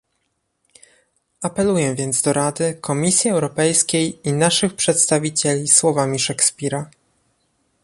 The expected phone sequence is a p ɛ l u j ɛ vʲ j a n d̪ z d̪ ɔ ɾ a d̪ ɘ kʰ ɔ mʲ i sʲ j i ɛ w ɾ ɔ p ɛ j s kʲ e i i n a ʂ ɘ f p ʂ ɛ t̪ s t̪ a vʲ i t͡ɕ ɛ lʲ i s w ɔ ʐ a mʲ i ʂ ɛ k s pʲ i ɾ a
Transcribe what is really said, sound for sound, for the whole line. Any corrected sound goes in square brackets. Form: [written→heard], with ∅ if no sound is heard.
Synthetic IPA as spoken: a p ɛ l u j ɛ vʲ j [a→ɛ] n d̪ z d̪ ɔ ɾ a d̪ ɘ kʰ ɔ mʲ i sʲ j i ɛ w ɾ ɔ p ɛ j s kʲ e [i→j] i n a ʂ ɘ [f→x] p ʂ ɛ t̪ s t̪ a vʲ i t͡ɕ ɛ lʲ i s w ɔ [ʐ→v] a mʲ i ʂ ɛ k s pʲ i ɾ a